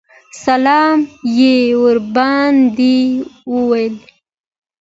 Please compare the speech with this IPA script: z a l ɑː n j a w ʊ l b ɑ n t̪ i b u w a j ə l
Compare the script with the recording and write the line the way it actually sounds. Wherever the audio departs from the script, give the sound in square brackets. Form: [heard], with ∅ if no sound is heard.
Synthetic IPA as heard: [s] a l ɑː [m] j [e] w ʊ [ɾ] b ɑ n [d̪] i [w] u w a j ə l

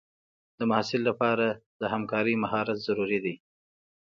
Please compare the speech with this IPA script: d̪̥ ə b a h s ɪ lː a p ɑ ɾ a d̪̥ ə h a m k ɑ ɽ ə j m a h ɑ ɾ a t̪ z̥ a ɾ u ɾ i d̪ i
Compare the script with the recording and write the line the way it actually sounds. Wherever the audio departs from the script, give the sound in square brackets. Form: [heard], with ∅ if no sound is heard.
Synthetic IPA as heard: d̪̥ ə [m] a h s ɪ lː a p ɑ ɾ a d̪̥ ə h a m k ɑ [ɾ] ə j m a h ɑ ɾ a t̪ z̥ a ɾ u ɾ i d̪ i

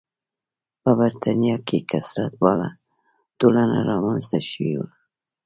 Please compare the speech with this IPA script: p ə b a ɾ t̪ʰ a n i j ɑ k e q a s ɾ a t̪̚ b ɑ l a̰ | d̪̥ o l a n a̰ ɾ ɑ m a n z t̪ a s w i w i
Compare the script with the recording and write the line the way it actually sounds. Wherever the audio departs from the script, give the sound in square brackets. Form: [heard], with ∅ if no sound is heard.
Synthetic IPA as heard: p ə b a ɾ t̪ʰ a n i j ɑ k e [k] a s ɾ a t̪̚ b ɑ l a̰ | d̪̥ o l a n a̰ ɾ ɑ m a n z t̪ a [ʃ] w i w [a]

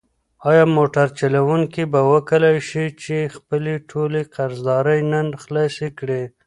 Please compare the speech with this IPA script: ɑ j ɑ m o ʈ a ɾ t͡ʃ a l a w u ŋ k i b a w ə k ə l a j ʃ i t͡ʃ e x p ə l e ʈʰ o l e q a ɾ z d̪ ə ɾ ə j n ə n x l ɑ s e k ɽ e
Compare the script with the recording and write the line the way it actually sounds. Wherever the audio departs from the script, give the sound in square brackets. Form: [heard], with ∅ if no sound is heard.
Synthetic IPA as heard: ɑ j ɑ m o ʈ a ɾ t͡ʃ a l a w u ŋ k i b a w ə k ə l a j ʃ i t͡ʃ e x p ə l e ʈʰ o l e q a ɾ z d̪ [ɑ] ɾ ə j n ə n x l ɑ s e k ɽ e

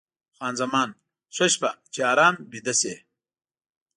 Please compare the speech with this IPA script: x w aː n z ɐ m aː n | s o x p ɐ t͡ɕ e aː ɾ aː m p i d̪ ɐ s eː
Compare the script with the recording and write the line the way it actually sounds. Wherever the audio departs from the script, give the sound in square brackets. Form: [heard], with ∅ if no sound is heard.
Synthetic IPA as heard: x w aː n z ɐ m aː n | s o [ɕ] p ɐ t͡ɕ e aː ɾ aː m [b] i d̪ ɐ s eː

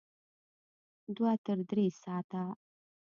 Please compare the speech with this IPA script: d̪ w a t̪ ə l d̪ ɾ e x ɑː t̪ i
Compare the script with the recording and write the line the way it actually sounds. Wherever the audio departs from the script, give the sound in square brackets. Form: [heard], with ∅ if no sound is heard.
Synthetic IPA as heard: d̪ w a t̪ ə [ɾ] d̪ ɾ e [s] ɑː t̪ [a]

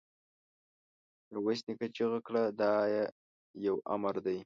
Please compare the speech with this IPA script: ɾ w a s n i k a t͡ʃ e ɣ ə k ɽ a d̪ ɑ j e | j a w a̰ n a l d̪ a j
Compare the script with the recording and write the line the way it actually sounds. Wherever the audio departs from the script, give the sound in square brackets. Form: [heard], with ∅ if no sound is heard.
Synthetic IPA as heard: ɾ w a s n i k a t͡ʃ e ɣ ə k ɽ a d̪ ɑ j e | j a w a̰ [m] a [ɾ] d̪ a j

